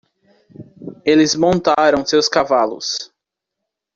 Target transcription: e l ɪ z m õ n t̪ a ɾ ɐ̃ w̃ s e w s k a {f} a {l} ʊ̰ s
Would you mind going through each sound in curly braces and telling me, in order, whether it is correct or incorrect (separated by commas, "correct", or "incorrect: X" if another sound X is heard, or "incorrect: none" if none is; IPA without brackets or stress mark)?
incorrect: v, correct